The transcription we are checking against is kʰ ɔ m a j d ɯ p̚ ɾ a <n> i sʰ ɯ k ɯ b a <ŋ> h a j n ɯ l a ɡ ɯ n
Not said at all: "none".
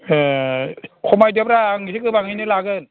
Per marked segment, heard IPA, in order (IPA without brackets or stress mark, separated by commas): ŋ, ŋ